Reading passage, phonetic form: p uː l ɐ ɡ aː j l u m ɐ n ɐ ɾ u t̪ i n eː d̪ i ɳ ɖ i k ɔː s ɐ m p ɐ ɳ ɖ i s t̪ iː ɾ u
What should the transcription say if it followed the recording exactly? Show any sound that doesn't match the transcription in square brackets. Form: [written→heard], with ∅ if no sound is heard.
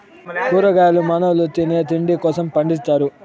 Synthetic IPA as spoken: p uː [l→ɾ] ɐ ɡ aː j l u m ɐ n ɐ [ɾ→l] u t̪ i n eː [d̪→t̪] i ɳ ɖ i k ɔː s ɐ m p ɐ ɳ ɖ i s t̪ [iː→aː] ɾ u